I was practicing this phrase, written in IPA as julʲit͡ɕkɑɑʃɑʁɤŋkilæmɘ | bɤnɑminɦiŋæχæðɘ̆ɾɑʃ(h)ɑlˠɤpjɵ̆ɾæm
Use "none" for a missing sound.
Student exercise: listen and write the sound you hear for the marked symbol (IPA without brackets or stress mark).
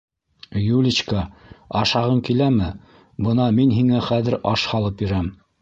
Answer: h